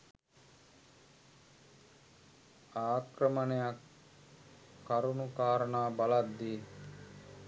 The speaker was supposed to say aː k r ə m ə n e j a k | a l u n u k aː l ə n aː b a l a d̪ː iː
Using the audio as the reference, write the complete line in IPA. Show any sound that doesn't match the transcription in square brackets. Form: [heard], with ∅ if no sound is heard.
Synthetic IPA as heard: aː k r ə m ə n e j a k | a [ɾ] u n u k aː [ɾ] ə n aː b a l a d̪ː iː